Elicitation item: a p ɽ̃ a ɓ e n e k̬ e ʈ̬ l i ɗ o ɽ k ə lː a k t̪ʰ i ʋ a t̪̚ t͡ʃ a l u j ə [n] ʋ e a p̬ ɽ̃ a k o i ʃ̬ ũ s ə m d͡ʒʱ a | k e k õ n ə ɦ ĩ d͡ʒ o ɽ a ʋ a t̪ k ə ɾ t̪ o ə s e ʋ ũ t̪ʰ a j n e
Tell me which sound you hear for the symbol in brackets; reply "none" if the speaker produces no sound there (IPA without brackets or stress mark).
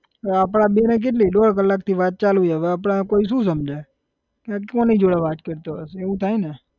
none